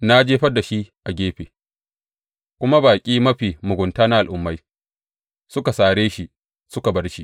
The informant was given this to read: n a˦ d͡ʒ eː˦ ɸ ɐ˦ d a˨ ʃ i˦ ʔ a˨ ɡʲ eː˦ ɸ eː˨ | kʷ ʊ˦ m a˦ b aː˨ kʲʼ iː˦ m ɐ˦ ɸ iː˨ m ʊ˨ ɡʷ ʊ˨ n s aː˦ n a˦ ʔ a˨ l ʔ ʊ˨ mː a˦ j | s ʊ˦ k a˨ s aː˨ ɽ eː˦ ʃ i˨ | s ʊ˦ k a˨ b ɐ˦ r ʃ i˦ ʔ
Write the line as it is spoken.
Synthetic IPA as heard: n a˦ d͡ʒ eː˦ ɸ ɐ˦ d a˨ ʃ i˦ ʔ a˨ ɡʲ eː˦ ɸ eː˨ | kʷ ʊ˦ m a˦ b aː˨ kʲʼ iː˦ m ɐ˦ ɸ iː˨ m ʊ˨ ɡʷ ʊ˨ n t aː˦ n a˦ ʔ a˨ l ʔ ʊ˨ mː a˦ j | s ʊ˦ k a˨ s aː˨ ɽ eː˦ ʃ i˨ | s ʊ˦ k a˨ b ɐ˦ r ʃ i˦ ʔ